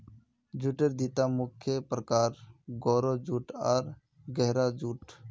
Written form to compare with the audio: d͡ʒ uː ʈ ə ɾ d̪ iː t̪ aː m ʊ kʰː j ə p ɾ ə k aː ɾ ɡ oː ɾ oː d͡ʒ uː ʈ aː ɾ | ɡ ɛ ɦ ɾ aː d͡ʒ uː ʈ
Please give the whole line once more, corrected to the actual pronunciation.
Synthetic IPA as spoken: d͡ʒ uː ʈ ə ɾ d̪ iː t̪ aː m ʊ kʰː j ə p ɾ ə k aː ɾ ɡ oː ɾ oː d͡ʒ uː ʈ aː ɾ | ɡ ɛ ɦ ɾ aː d͡ʒ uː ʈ